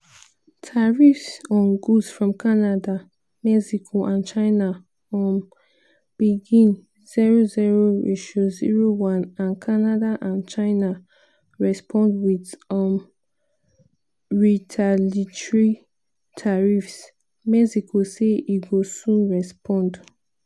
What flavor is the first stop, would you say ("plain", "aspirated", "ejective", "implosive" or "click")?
aspirated